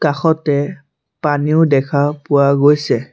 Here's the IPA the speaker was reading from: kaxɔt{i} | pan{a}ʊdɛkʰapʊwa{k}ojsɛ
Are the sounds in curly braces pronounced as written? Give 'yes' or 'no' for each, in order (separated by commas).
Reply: no, no, no